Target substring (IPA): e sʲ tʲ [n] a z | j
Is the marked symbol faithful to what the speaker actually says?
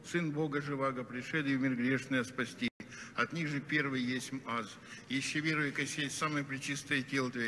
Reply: no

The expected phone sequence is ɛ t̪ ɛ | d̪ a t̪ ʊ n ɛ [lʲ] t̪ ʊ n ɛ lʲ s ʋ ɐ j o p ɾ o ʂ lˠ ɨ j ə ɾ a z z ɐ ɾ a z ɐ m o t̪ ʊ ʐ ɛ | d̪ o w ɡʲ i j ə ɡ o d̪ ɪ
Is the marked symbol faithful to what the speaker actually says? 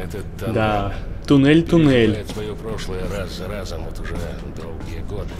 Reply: yes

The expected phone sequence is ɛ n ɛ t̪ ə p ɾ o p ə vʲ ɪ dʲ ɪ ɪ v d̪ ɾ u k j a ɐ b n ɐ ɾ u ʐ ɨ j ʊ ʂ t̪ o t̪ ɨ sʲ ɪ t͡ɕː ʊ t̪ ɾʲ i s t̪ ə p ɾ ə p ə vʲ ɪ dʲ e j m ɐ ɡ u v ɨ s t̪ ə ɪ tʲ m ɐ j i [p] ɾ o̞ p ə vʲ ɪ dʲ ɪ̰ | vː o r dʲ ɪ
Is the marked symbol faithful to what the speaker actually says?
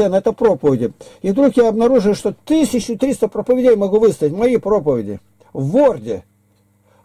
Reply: yes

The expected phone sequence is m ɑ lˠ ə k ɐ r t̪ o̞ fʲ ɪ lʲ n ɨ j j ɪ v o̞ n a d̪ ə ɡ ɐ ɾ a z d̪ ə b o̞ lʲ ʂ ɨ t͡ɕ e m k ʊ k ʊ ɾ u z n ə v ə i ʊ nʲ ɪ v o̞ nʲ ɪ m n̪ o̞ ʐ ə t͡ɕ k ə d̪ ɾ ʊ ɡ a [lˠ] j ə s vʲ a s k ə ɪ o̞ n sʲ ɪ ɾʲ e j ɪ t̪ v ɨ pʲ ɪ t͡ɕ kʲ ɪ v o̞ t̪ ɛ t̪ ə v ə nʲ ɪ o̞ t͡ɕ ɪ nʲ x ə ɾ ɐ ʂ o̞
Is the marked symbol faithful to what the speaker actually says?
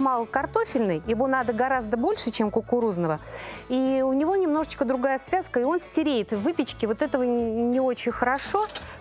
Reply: no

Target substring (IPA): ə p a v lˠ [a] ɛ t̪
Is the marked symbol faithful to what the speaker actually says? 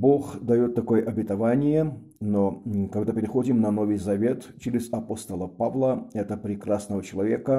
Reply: no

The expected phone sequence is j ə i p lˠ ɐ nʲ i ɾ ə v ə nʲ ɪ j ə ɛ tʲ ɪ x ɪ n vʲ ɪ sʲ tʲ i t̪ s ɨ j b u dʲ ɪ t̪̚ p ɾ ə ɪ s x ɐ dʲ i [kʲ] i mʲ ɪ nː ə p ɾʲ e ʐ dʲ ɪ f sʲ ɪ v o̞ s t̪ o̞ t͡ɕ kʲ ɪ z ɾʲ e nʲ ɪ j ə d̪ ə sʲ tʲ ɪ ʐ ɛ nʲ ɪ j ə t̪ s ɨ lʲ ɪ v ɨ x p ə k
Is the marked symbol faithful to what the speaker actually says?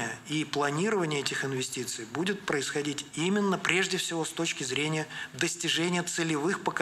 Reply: no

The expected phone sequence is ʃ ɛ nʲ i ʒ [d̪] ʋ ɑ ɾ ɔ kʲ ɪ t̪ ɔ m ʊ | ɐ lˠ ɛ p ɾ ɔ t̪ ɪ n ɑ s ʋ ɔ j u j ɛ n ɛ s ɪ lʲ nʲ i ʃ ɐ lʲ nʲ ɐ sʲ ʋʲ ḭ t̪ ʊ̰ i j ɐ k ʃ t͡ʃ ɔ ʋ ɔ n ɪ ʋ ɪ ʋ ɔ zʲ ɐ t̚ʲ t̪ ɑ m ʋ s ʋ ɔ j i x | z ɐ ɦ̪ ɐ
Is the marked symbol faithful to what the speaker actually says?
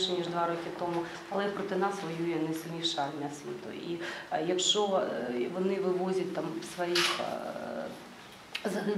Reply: yes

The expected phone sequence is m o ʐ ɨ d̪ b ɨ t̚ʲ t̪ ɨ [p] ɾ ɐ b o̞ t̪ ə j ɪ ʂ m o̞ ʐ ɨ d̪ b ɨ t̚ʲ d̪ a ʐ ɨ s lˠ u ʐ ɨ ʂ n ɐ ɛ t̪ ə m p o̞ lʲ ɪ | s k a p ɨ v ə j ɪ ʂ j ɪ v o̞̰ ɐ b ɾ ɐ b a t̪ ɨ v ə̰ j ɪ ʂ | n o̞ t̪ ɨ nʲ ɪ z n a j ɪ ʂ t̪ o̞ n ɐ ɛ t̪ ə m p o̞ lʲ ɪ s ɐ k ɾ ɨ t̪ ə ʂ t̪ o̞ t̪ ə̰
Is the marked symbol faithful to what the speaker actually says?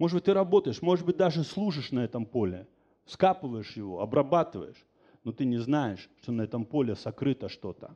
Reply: no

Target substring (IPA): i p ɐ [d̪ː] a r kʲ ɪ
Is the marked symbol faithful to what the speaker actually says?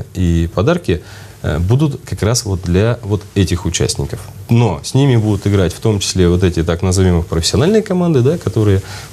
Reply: no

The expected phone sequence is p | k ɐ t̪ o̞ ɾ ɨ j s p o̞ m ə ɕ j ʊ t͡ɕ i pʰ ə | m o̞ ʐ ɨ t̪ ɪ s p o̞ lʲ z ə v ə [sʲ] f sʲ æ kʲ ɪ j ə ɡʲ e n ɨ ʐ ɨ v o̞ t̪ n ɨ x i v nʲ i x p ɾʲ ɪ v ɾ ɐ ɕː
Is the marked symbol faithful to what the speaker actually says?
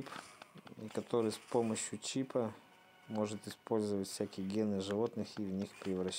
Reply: no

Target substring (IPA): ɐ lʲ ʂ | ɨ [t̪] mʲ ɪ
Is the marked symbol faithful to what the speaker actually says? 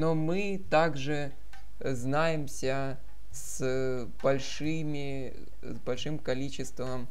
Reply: no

